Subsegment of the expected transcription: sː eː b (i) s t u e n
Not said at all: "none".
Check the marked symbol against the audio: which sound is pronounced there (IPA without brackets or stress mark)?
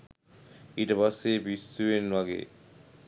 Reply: i